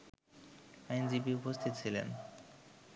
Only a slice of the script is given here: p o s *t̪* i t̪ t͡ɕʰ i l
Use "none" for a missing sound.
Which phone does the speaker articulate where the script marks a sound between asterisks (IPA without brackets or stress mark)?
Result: t̪ʰ